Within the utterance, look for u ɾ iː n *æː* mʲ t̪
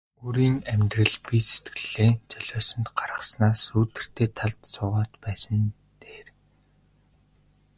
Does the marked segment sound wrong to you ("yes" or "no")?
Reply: yes